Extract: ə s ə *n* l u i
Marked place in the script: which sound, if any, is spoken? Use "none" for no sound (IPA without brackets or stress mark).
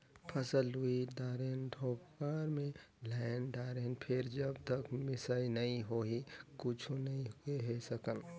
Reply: none